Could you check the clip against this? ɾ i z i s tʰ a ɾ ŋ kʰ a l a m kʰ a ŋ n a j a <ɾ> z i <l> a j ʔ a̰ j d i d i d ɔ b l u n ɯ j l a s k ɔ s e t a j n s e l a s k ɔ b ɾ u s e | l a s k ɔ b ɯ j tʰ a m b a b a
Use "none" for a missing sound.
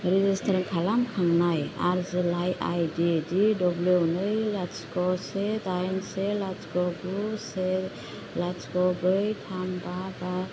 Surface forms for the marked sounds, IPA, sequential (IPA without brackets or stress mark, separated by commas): ɾ, l